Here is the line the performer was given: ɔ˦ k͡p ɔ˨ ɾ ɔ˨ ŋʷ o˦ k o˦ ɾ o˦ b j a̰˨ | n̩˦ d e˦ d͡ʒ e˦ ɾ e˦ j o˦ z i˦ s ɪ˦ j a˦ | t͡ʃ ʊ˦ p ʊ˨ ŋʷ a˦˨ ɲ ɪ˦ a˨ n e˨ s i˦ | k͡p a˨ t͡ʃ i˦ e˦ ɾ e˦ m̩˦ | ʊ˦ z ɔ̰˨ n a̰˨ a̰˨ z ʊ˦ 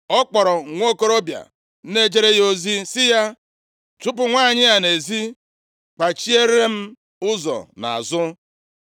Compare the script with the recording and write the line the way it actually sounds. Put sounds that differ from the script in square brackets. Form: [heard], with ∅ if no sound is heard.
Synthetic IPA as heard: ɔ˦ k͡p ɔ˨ ɾ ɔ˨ ŋʷ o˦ k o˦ ɾ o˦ b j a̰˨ | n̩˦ [n] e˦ d͡ʒ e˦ ɾ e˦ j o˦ z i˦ s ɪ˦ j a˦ | t͡ʃ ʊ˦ p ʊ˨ ŋʷ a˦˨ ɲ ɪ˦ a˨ n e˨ [z] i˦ | k͡p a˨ t͡ʃ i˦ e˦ ɾ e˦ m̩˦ | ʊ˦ z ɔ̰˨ n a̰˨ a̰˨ z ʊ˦